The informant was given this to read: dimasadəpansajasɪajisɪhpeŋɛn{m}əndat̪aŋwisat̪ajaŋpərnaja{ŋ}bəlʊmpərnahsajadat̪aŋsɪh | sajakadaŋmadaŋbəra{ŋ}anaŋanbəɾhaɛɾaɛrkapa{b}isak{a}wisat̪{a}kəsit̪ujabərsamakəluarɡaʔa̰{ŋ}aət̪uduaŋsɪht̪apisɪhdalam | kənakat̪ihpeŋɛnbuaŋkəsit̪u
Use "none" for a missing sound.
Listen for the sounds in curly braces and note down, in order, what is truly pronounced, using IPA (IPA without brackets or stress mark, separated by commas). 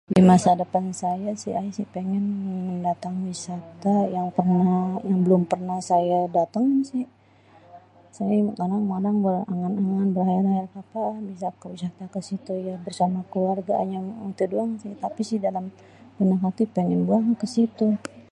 m, ŋ, ŋ, b, ə, a, ɲ